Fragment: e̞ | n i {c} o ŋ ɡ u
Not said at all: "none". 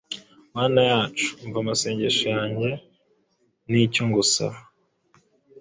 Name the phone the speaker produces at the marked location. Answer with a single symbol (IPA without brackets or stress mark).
c